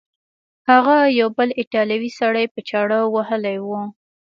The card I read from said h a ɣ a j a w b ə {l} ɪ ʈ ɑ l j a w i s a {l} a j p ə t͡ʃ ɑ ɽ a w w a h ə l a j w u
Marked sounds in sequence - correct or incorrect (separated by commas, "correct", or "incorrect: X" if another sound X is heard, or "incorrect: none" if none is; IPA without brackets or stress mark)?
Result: correct, incorrect: ɽ